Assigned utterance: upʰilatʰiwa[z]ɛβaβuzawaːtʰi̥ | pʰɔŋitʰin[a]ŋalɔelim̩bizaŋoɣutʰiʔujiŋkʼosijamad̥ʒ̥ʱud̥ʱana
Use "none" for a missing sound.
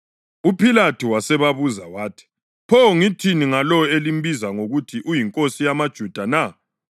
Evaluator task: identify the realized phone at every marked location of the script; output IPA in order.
s, i

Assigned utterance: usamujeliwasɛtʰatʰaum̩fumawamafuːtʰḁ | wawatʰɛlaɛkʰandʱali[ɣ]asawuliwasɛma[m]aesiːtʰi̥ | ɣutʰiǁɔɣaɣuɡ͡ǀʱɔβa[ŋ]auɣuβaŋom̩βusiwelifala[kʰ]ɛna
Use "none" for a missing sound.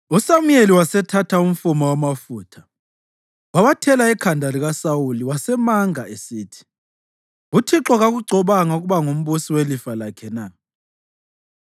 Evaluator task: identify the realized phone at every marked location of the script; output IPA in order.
ɣ, ŋ, ŋ, kʰ

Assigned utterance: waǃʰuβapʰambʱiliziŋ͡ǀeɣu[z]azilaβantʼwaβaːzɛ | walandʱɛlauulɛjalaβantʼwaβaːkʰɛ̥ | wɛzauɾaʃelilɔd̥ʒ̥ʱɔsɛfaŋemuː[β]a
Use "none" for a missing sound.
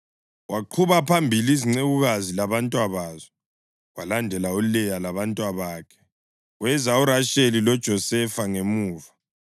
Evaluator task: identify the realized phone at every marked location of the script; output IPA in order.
ɣ, v

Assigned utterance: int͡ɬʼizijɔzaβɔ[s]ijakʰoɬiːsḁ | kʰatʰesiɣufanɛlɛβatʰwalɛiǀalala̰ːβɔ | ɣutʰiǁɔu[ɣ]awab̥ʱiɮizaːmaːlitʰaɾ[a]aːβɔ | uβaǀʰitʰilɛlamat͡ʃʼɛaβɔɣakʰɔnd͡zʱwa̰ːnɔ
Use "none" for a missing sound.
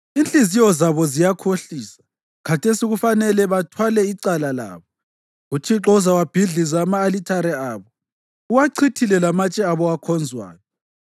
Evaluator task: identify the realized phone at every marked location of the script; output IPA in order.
z, z, ɛ

